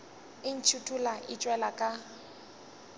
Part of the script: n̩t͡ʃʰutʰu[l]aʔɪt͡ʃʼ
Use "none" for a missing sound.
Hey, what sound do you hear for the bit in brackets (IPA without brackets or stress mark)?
l